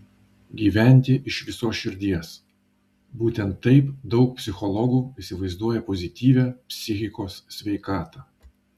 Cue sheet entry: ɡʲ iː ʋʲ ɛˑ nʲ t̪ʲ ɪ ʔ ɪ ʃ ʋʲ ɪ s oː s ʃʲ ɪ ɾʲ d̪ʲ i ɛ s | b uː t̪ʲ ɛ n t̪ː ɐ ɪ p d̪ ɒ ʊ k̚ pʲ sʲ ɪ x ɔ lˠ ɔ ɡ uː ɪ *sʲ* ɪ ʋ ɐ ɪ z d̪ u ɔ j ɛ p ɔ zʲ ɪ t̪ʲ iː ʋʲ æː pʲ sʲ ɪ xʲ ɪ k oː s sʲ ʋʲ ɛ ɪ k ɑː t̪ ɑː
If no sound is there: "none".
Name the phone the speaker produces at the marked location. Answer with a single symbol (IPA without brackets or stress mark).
sʲ